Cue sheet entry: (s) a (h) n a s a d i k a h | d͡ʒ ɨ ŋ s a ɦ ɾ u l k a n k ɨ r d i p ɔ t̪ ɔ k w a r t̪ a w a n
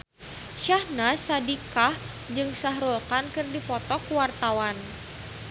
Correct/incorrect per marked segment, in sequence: incorrect, correct

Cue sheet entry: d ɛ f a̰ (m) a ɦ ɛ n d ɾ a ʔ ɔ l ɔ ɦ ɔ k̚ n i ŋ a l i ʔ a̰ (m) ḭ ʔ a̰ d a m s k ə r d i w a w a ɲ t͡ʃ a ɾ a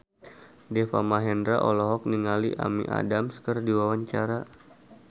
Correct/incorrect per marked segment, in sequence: correct, correct

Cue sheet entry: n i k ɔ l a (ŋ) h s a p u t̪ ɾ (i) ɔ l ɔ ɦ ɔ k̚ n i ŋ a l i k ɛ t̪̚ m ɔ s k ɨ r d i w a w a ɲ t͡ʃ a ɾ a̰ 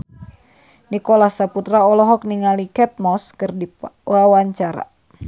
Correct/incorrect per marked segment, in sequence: incorrect, incorrect

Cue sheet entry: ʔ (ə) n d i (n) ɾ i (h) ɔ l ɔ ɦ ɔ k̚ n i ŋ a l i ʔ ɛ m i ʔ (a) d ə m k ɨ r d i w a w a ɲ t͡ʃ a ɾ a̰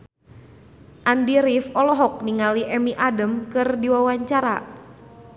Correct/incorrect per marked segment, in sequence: incorrect, incorrect, incorrect, correct

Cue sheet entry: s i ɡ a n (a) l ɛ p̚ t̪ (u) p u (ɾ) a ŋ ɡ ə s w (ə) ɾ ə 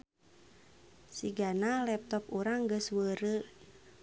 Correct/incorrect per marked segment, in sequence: correct, incorrect, correct, correct

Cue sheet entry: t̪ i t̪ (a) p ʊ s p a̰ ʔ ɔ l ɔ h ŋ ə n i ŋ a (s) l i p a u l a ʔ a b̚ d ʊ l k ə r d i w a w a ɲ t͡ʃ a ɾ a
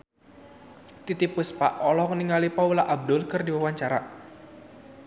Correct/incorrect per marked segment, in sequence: incorrect, incorrect

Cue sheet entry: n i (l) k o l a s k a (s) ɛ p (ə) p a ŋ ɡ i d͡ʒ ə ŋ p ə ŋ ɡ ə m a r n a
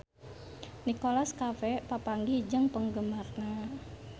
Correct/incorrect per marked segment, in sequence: incorrect, incorrect, incorrect

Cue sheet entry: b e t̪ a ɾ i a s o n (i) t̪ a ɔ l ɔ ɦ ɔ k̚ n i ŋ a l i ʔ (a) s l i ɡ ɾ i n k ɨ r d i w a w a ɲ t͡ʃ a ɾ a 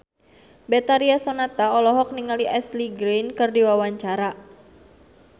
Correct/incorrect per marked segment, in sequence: incorrect, incorrect

